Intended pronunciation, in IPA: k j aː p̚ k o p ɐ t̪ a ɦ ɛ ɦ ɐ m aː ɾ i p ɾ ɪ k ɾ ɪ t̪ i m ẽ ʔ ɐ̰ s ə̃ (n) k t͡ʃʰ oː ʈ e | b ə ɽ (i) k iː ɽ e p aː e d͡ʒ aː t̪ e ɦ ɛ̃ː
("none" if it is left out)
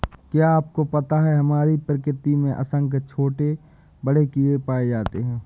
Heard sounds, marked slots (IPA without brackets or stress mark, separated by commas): ŋ, e